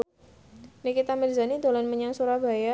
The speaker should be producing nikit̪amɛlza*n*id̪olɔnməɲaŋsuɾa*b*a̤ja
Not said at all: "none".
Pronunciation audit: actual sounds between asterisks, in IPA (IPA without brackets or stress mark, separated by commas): n, b